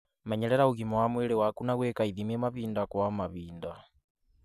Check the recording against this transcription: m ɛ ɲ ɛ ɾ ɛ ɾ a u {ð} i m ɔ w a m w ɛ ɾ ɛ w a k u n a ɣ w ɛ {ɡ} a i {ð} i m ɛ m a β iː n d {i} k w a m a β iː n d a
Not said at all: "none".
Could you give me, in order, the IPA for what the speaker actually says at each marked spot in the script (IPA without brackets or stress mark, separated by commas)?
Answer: ɣ, k, ð, a